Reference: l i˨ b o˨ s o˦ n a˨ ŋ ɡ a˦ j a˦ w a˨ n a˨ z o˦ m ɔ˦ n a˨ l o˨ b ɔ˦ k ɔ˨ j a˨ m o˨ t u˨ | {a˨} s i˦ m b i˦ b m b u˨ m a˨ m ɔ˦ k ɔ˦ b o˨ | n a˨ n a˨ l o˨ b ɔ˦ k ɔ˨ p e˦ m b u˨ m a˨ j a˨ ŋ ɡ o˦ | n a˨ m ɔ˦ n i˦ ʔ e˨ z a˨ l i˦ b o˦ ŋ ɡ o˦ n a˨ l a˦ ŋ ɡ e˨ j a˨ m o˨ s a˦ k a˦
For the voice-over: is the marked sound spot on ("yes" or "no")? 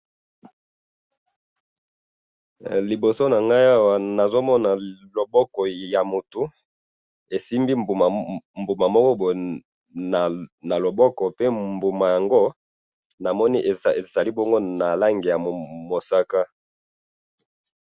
no